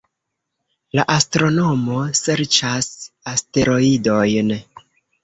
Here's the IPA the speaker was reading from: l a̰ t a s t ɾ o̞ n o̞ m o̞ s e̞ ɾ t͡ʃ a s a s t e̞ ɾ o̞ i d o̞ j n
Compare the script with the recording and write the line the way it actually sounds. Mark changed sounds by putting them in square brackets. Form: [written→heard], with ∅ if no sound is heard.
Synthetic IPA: l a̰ [t→ʔ] a s t ɾ o̞ n o̞ m o̞ s e̞ ɾ t͡ʃ a s a s t e̞ ɾ o̞ i d o̞ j n